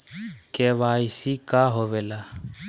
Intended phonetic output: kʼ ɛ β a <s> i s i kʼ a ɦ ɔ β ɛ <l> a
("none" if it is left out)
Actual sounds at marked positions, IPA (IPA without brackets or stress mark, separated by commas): none, l